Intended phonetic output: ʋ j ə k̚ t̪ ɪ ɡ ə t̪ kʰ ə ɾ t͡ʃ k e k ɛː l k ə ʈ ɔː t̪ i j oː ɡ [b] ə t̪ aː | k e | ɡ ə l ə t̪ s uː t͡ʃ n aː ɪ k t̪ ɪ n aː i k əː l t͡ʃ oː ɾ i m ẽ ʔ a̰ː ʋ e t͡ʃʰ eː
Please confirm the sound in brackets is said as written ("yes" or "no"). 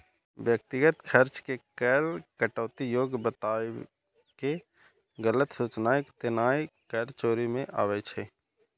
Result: yes